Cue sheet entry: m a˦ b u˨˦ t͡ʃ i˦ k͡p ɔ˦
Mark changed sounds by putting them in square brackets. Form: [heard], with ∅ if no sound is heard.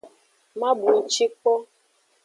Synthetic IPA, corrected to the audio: m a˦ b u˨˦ t͡ʃ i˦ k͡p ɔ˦